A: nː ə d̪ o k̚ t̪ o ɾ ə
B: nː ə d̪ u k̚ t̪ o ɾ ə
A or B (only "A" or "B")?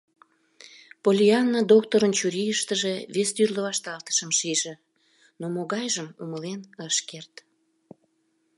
A